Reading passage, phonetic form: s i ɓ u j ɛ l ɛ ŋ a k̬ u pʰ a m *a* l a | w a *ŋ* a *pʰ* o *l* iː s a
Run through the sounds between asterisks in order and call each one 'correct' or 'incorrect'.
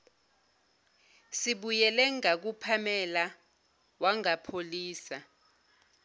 incorrect: ɛ, correct, correct, correct

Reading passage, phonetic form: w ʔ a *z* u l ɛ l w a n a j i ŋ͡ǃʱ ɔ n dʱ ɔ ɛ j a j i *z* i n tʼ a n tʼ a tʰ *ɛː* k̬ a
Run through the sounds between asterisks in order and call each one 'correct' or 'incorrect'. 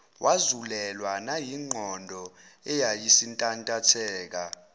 correct, incorrect: s, correct

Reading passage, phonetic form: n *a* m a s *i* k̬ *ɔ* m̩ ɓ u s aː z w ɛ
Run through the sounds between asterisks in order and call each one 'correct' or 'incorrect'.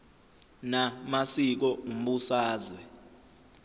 correct, correct, correct

